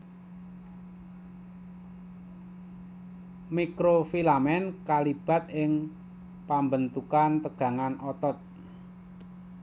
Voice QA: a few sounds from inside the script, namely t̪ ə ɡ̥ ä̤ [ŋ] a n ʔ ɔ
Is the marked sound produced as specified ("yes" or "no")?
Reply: yes